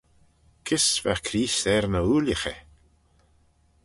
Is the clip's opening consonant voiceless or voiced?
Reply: voiceless